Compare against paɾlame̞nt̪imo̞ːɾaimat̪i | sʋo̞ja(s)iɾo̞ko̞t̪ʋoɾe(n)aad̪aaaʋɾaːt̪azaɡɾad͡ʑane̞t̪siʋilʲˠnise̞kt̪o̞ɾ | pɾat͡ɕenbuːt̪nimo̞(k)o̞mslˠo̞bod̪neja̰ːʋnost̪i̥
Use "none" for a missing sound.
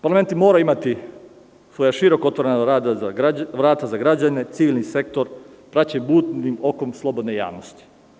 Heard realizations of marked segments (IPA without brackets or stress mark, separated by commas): ʃ, n, k